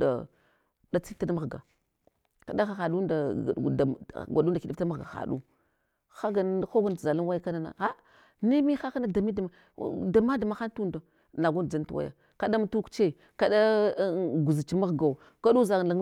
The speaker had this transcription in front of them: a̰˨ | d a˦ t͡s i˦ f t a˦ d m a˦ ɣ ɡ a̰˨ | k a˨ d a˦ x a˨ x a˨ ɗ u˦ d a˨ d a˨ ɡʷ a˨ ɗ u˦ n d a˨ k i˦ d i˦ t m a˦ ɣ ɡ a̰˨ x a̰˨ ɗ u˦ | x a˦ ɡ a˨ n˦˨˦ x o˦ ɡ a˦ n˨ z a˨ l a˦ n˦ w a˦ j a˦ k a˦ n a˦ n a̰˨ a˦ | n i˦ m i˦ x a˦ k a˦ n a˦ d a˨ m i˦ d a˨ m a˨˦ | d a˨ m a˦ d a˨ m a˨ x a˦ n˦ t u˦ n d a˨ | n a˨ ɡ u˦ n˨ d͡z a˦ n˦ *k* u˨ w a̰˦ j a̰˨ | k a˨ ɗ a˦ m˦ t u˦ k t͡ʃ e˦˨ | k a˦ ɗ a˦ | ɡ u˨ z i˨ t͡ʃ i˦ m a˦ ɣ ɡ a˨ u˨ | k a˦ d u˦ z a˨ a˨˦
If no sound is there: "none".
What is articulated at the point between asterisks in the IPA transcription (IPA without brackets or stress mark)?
t